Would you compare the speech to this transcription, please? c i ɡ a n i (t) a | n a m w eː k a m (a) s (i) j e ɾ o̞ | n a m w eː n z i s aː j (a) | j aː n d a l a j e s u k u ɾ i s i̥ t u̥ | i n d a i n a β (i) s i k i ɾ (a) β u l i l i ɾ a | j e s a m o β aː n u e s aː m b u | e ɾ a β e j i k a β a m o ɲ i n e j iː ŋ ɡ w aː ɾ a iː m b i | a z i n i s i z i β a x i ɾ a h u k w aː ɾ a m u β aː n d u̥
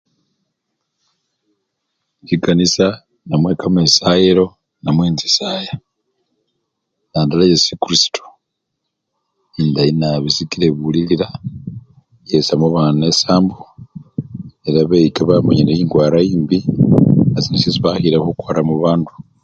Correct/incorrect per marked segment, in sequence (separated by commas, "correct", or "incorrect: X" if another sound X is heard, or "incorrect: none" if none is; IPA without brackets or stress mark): incorrect: s, incorrect: e, incorrect: a, correct, correct, incorrect: e